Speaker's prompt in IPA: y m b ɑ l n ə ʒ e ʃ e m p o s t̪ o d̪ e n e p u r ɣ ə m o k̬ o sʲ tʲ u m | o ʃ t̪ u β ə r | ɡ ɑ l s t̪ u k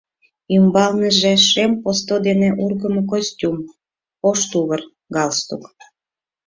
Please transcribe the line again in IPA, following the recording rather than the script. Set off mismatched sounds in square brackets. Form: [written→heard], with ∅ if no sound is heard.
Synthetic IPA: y m b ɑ l n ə ʒ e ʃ e m p o s t̪ o d̪ e n e [p→ʔ] u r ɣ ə m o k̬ o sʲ tʲ u m | o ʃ t̪ u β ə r | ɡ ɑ l s t̪ u k